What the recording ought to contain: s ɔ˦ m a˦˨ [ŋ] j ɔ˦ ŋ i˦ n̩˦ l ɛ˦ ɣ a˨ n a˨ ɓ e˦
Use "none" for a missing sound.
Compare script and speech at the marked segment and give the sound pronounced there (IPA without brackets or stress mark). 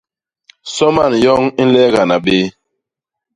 n